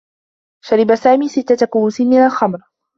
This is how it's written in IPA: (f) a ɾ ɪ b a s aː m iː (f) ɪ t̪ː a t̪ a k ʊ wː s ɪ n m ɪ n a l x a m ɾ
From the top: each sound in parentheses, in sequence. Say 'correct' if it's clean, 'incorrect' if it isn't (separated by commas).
incorrect, incorrect